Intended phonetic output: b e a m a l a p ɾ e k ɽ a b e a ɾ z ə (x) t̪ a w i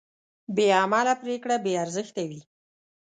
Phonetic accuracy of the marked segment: correct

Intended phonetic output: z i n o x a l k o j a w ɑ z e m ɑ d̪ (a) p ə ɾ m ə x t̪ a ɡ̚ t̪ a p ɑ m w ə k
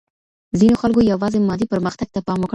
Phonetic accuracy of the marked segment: incorrect: i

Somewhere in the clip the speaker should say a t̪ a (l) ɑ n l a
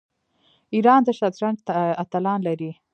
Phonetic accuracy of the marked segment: correct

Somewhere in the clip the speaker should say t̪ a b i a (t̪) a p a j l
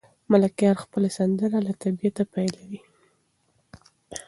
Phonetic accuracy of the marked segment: correct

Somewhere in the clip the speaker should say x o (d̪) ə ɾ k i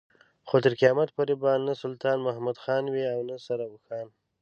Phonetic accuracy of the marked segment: incorrect: t̪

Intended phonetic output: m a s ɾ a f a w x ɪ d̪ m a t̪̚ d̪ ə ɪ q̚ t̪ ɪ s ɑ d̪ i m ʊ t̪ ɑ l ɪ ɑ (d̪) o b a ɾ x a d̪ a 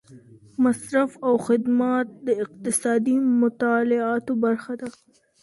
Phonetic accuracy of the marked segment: incorrect: t̪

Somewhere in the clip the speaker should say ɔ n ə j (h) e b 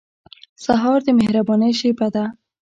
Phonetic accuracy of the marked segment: incorrect: ʃ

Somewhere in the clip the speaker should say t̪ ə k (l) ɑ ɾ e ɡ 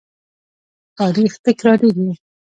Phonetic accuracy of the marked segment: incorrect: ɾ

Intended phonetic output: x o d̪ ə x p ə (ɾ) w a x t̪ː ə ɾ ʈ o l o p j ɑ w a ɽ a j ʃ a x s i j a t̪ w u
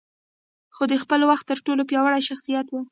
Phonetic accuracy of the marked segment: incorrect: l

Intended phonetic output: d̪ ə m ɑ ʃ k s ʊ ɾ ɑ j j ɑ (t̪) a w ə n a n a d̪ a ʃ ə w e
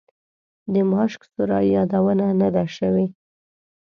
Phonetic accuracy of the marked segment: incorrect: d̪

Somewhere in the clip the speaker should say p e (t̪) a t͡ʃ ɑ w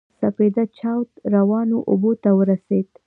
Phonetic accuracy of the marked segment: incorrect: d̪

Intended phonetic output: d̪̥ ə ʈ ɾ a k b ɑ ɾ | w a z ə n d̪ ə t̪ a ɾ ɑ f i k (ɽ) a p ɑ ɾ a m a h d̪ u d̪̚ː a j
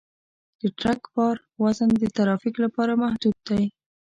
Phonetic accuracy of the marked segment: incorrect: l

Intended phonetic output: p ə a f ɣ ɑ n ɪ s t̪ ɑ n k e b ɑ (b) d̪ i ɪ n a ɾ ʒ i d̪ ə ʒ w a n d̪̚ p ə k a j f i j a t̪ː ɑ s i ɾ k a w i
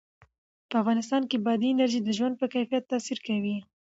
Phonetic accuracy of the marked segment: incorrect: none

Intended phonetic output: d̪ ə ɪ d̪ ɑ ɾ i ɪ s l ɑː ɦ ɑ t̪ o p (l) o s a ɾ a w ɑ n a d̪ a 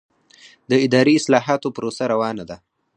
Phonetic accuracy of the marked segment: incorrect: ɾ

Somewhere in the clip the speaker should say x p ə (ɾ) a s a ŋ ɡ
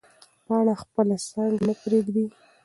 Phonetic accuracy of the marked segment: incorrect: l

